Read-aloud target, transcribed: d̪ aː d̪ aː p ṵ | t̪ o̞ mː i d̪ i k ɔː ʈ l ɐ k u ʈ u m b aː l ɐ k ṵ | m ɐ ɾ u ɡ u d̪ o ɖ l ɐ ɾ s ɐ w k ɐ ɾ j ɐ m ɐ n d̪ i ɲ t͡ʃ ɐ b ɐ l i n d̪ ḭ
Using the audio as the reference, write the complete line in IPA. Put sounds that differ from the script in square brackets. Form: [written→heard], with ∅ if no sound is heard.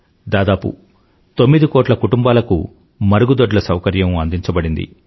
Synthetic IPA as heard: d̪ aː d̪ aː p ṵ | t̪ o̞ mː i d̪ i k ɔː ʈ l ɐ k u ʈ u m b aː l ɐ k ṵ | m ɐ ɾ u ɡ u d̪ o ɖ l ɐ [ɾ→∅] s ɐ w k ɐ ɾ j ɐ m ɐ n d̪ i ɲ t͡ʃ ɐ b ɐ [l→ɽ] i n d̪ ḭ